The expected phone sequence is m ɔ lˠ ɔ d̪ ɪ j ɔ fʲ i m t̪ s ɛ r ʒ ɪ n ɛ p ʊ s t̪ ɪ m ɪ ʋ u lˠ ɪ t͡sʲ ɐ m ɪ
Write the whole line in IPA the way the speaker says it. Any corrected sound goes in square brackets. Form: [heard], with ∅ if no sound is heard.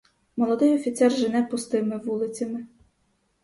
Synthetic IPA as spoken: m ɔ lˠ ɔ d̪ ɪ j ɔ fʲ i [∅] t̪ s ɛ r ʒ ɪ n ɛ p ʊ s t̪ ɪ m ɪ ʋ u lˠ ɪ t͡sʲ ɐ m ɪ